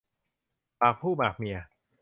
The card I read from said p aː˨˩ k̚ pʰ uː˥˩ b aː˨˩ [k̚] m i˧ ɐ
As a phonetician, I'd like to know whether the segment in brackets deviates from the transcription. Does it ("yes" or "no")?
no